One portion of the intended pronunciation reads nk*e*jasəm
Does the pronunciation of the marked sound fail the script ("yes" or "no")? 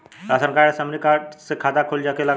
yes